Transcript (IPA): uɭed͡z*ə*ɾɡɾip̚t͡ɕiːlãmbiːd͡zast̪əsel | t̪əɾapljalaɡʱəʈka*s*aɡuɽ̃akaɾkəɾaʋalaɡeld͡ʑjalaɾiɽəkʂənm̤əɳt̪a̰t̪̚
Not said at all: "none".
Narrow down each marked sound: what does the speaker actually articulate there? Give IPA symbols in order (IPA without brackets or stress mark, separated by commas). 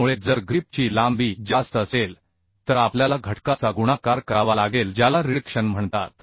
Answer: ə, t͡s